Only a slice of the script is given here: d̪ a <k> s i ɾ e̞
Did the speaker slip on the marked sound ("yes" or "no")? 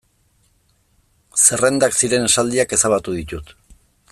no